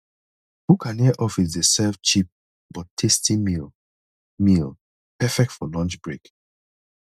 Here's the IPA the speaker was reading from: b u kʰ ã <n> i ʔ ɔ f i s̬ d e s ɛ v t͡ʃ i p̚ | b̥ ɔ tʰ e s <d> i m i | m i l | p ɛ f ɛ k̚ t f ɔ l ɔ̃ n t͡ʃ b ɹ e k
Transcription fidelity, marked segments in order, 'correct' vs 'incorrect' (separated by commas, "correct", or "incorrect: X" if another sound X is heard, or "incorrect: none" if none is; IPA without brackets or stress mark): correct, incorrect: t